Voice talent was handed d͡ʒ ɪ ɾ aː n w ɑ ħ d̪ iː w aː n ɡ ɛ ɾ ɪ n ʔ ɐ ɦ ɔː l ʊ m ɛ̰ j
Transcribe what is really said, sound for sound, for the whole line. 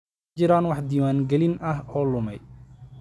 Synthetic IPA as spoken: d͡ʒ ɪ ɾ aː n w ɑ ħ d̪ iː w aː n ɡ ɛ l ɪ n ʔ ɐ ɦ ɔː l ʊ m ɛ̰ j